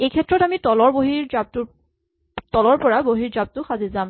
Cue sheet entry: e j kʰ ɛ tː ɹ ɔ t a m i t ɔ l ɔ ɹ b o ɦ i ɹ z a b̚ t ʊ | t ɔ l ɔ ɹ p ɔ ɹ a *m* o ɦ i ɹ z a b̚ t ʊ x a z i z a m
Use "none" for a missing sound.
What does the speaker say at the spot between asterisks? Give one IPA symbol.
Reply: b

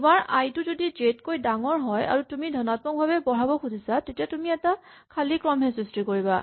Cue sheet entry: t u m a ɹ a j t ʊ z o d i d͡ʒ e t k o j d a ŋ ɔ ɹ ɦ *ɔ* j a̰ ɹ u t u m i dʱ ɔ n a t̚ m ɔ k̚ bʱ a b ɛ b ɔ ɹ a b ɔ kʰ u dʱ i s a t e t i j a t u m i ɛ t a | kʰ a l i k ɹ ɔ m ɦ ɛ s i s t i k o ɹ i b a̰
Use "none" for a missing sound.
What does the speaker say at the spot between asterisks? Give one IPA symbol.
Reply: ɔ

